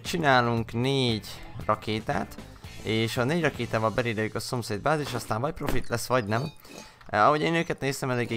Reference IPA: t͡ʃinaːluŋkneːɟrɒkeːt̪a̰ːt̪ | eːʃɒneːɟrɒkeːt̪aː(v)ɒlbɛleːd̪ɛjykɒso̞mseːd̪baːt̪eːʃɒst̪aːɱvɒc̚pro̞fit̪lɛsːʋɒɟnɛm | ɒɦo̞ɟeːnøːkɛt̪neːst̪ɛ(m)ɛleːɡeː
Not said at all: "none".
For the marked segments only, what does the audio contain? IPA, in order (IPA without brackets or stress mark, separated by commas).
v, m